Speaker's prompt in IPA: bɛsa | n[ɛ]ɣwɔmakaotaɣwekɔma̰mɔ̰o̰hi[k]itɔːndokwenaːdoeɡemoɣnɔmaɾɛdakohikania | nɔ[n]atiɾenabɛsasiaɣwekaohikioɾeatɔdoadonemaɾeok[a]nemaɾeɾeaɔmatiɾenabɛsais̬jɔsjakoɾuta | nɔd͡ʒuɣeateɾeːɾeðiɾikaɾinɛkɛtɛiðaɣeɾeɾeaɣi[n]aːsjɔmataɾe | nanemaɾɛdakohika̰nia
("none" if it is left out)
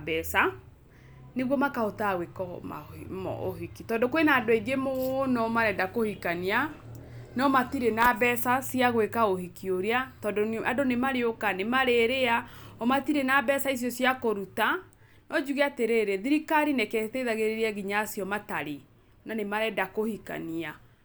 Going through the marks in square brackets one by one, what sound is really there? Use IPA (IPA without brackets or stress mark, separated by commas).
e, k, m, a, ɲ